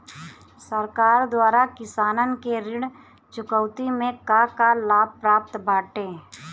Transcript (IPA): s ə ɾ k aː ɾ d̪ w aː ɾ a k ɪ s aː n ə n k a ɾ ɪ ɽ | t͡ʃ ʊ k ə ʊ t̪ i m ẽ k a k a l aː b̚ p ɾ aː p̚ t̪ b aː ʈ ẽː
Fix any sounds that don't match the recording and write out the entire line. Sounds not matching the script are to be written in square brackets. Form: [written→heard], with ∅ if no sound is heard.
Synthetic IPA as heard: s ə ɾ k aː ɾ d̪ w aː ɾ a k ɪ s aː n ə n k [a→e] ɾ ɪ ɽ | t͡ʃ ʊ k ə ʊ t̪ i m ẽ k a k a l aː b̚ p ɾ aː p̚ t̪ b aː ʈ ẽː